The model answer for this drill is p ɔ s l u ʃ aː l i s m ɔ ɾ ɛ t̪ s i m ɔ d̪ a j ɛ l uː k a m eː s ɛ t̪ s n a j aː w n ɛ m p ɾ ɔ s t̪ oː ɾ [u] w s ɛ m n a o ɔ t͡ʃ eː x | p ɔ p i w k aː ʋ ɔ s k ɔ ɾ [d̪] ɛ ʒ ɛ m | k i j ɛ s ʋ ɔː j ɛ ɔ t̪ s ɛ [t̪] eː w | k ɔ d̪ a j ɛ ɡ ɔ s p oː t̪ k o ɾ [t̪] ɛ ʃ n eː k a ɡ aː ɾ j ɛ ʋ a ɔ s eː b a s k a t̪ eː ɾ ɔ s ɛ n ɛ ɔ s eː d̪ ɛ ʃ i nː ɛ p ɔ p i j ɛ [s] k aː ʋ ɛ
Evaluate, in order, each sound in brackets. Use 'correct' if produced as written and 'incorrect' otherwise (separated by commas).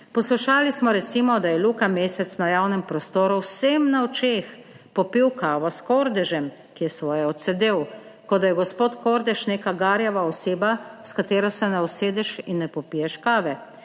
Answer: correct, correct, incorrect, incorrect, incorrect